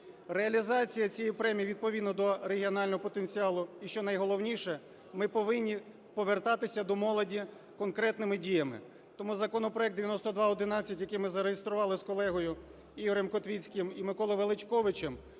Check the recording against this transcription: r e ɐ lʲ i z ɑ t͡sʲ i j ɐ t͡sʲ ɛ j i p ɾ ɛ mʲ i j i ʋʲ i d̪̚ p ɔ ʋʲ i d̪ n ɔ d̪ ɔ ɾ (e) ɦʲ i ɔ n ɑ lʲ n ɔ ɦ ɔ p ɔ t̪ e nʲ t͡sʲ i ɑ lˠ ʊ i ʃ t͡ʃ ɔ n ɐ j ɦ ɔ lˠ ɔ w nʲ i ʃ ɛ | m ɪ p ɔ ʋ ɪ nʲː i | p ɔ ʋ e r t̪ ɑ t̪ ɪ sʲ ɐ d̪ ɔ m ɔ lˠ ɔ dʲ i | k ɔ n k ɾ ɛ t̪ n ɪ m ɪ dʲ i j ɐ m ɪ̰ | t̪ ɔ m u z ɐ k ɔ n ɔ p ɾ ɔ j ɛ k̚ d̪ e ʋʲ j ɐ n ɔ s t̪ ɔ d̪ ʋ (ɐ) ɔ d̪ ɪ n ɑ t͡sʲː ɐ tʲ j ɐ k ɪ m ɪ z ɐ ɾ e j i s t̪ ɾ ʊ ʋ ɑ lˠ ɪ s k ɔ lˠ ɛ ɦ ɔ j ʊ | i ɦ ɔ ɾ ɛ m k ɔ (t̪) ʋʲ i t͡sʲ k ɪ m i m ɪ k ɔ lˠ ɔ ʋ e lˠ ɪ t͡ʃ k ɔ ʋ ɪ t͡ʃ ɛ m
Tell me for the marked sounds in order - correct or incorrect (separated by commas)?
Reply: correct, incorrect, correct